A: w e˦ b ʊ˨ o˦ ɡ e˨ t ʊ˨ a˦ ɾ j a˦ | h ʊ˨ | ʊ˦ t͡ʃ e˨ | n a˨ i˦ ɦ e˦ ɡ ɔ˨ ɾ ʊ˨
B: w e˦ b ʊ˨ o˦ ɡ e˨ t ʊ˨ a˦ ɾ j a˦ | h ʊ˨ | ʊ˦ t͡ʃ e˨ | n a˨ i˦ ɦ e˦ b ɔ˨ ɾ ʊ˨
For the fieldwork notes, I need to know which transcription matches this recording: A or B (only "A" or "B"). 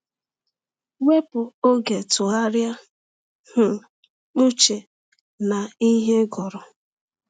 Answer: A